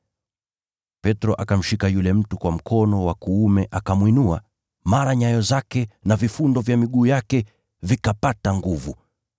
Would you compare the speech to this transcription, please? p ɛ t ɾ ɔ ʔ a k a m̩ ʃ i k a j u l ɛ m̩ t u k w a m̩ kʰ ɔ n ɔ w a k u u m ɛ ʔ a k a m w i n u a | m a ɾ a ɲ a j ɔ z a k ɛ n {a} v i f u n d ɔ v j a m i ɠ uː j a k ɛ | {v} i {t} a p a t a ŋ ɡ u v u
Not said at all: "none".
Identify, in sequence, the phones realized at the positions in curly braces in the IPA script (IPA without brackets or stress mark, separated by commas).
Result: a, v, k